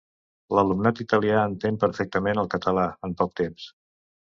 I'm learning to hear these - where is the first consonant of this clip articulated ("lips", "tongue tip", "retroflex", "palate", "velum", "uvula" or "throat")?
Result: tongue tip